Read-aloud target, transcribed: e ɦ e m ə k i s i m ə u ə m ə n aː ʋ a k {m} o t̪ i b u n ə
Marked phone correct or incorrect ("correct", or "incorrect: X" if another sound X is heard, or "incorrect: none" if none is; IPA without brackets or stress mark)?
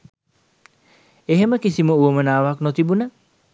incorrect: n